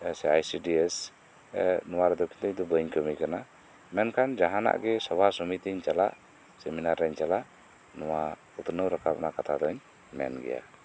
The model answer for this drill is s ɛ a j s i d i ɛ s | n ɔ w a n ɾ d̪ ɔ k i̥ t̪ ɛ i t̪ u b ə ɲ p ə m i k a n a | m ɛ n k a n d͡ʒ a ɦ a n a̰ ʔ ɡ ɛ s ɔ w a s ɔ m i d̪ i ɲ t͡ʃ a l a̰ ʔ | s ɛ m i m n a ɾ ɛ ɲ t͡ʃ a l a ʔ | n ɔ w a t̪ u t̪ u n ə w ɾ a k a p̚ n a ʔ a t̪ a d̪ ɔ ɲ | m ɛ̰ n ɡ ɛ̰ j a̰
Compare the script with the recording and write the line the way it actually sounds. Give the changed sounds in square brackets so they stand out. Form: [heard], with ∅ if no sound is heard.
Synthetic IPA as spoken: s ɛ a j s i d i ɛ s | n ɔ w a [∅] ɾ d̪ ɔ k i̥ t̪ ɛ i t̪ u b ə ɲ [k] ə m i k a n a | m ɛ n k a n d͡ʒ a ɦ a n a̰ ʔ ɡ ɛ s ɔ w a s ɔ m i [t̪] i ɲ t͡ʃ a l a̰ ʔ | s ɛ m i [∅] n a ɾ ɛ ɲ t͡ʃ a l a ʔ | n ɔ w a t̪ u t̪ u n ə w ɾ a k a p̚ n a [k] a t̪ a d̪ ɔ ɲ | m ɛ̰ n ɡ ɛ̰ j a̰